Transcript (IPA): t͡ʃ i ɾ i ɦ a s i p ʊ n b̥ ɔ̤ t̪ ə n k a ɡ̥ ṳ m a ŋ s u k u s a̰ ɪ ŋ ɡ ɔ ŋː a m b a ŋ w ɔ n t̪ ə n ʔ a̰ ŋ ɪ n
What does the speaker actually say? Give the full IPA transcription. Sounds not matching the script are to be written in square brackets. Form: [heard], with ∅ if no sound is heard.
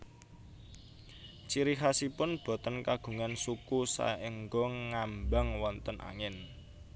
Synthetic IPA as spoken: t͡ʃ i ɾ i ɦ a s i p ʊ n b̥ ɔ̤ t̪ ə n k a ɡ̥ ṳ [ŋ] a [n] s u k u s a̰ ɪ ŋ ɡ ɔ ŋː a m b a ŋ w ɔ n t̪ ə n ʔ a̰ ŋ ɪ n

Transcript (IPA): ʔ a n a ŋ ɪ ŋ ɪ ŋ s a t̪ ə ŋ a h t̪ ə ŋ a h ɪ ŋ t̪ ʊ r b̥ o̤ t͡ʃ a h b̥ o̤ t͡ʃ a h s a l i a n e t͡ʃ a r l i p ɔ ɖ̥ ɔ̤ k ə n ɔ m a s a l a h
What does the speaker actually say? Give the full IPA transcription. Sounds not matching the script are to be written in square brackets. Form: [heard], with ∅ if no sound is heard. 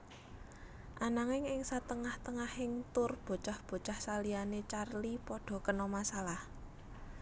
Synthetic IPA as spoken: ʔ a n a ŋ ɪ ŋ ɪ ŋ s a t̪ ə ŋ a h t̪ ə ŋ a h ɪ ŋ t̪ ʊ r b̥ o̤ t͡ʃ a h b̥ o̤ t͡ʃ a h s a l i a n e t͡ʃ a r l i p ɔ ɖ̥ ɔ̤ k ə n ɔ m a s a l a h

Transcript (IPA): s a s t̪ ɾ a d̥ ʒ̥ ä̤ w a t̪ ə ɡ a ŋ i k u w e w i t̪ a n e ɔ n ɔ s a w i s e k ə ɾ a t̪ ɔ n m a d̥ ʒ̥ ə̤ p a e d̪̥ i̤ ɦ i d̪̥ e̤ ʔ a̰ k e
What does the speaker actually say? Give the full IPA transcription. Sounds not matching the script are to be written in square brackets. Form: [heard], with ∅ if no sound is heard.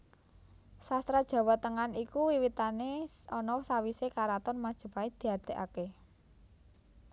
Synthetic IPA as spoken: s a s t̪ ɾ a d̥ ʒ̥ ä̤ w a t̪ ə [ŋ] a [n] i k u w [i] w i t̪ a n e ɔ n ɔ s a w i s e k [a] ɾ a t̪ ɔ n m a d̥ ʒ̥ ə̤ p a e d̪̥ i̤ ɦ [a] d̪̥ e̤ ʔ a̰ k e

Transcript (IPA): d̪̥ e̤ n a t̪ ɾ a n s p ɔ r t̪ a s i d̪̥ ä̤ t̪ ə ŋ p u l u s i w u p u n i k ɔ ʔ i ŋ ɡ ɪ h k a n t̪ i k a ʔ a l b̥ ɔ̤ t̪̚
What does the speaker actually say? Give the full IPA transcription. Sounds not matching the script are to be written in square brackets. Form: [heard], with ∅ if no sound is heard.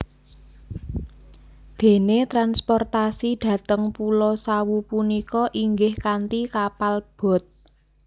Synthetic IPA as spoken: d̪̥ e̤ n [e] t̪ ɾ a n s p ɔ r t̪ a s i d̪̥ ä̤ t̪ ə ŋ p u l [ɔ] s [a] w u p u n i k ɔ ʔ i ŋ ɡ ɪ h k a n t̪ i k a [p] a l b̥ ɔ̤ t̪̚

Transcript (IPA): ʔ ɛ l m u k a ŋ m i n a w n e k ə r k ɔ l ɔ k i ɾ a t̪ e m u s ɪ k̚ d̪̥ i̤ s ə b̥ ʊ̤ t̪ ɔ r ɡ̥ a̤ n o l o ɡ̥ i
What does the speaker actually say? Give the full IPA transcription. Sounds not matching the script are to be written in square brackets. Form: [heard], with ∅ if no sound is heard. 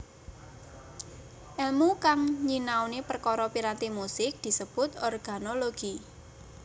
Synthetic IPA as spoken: ʔ ɛ l m u k a ŋ [ɲ] i n a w n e [p] ə r k ɔ [ɾ] ɔ [p] i ɾ a t̪ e m u s ɪ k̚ d̪̥ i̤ s ə b̥ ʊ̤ t̪ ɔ r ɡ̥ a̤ n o l o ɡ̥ i

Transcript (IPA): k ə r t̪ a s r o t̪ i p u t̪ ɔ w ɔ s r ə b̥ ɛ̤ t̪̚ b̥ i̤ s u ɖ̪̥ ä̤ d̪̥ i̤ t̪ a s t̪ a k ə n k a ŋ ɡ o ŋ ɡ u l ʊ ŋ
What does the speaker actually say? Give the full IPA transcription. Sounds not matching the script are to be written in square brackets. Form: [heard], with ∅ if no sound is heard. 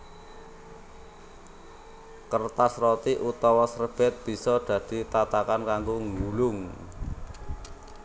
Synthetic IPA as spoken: k ə r t̪ a s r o t̪ i [ʔ] u t̪ ɔ w ɔ s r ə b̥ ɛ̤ t̪̚ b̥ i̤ s [ɔ] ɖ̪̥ ä̤ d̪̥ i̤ t̪ a [∅] t̪ a k [a] n k a ŋ ɡ o ŋ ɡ u l ʊ ŋ

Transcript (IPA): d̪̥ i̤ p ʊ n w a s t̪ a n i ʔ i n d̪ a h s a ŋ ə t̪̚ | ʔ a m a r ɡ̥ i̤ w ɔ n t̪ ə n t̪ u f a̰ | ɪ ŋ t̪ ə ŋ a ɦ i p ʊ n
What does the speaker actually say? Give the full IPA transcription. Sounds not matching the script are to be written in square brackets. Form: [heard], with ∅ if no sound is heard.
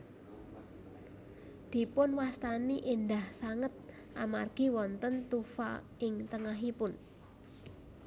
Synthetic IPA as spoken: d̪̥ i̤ p ʊ n w a s t̪ a n i ʔ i n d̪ a h s a ŋ ə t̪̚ | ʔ a m a r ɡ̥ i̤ w ɔ n t̪ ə n t̪ u f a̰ | ɪ ŋ t̪ ə ŋ a ɦ i p ʊ n

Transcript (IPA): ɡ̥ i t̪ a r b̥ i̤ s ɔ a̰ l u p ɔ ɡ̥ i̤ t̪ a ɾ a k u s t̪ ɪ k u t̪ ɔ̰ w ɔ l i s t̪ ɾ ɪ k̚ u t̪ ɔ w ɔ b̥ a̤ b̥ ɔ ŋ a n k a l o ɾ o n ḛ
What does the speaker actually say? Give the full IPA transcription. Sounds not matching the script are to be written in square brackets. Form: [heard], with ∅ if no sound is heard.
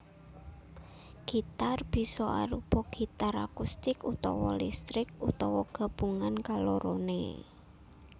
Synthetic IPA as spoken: ɡ̥ i t̪ a r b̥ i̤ s ɔ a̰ [ɾ] u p ɔ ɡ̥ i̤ t̪ a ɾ a k u s t̪ ɪ k u t̪ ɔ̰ w ɔ l i s t̪ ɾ ɪ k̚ u t̪ ɔ w ɔ [ɡ̥] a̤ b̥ [u] ŋ a n k a l o ɾ o n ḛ

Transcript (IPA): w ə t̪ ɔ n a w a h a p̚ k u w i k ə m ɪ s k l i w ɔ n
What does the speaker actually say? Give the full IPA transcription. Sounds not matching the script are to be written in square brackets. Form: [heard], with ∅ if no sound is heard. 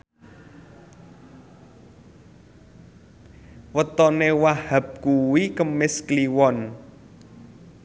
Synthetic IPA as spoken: w ə t̪ ɔ n [e] w a h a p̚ k u w i k ə m ɪ s k l i w ɔ n

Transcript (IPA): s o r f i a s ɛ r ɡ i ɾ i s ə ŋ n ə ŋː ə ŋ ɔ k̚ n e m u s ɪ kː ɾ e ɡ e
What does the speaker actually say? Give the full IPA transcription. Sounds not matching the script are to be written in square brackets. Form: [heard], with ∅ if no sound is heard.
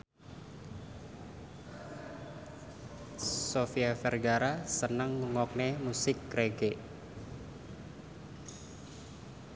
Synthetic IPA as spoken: s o [∅] f i a [f] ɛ r ɡ [a] ɾ [a] s ə [∅] n ə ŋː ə ŋ ɔ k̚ n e m u s ɪ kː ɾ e ɡ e

